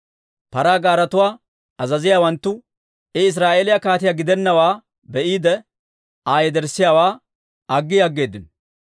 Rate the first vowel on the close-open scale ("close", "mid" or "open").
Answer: open